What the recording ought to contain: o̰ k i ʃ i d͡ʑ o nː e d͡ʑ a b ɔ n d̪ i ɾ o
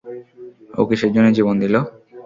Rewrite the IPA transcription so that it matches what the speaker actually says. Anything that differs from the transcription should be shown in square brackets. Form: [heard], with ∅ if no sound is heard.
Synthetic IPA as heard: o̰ k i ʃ [e] d͡ʑ o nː e d͡ʑ [i] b [o] n d̪ i [l] o